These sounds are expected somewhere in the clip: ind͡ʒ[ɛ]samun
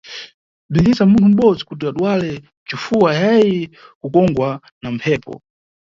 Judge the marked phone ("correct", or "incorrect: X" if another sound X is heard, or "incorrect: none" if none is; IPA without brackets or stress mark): incorrect: i